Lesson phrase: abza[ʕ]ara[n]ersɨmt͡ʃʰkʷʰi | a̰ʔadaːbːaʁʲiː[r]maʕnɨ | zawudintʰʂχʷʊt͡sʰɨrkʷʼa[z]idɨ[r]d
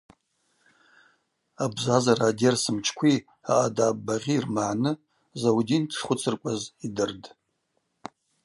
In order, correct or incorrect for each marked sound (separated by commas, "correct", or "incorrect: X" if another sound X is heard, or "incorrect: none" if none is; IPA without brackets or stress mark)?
incorrect: z, incorrect: d, correct, correct, correct